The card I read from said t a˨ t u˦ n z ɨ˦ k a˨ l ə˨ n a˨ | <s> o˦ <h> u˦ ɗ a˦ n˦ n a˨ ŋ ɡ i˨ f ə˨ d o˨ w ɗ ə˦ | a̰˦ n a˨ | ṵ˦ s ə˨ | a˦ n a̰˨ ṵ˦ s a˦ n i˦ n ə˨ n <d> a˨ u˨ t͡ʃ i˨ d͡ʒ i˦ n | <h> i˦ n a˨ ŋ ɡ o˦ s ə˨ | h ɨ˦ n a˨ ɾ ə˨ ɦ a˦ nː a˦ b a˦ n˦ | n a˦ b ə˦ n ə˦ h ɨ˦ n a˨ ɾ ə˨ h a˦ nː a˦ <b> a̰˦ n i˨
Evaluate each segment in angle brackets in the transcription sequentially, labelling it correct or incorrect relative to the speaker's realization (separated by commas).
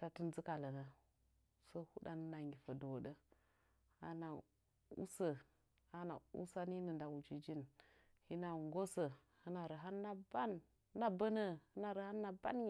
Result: correct, correct, correct, correct, correct